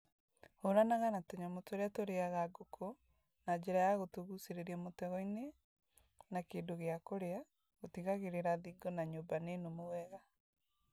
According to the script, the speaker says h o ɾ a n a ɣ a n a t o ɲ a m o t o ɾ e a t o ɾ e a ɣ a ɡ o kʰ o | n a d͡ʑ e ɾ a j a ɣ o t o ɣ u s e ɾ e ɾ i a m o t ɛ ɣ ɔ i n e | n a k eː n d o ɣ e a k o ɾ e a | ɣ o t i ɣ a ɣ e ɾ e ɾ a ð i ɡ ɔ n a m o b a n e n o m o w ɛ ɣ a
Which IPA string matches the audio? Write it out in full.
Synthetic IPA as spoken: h o ɾ a n a ɣ a n a t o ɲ a m o t o ɾ e a t o ɾ e a ɣ a ɡ o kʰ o | n a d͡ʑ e ɾ a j a ɣ o t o ɣ u s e ɾ e ɾ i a m o t ɛ ɣ ɔ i n e | n a k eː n d o ɣ e a k o ɾ e a | ɣ o t i ɣ a ɣ e ɾ e ɾ a ð i ɡ ɔ n a ɲ o b a n e n o m o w ɛ ɣ a